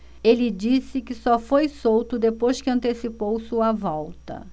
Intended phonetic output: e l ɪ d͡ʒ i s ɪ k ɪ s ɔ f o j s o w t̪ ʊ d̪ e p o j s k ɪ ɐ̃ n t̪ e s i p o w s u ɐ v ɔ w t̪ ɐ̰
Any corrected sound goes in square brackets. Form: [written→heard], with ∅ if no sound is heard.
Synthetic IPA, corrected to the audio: e l ɪ d͡ʒ i s ɪ k ɪ s ɔ f o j s o w t̪ ʊ d̪ e p o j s k ɪ ɐ̃ n t̪ e s i p o w s u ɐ v ɔ w t̪ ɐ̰